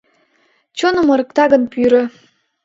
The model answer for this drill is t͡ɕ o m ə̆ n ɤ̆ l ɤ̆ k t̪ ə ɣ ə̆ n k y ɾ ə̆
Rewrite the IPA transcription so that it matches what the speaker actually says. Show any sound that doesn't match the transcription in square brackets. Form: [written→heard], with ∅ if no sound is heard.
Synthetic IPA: t͡ɕ o [m→n] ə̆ [n→m] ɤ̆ [l→ɾ] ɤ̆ k t̪ [ə→ɑ] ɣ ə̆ n [k→p] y ɾ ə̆